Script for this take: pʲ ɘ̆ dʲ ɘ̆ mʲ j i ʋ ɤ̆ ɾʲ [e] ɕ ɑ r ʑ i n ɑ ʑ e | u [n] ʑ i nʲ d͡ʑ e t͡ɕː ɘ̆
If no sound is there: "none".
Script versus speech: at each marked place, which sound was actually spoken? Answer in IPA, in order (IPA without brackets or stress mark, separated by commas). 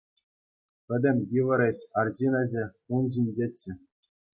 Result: e, n